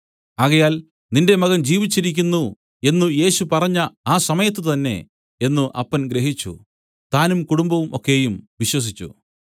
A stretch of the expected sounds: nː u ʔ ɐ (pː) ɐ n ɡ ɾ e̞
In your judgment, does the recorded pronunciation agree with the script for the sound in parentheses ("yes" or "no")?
yes